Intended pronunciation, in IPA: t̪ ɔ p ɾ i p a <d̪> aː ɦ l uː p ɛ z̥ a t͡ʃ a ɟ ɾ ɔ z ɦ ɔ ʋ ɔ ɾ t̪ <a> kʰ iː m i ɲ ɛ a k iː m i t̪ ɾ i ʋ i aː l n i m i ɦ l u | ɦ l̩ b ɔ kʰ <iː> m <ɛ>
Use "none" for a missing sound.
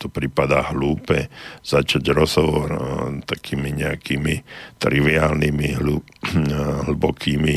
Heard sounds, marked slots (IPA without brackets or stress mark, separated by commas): d̪, a, iː, i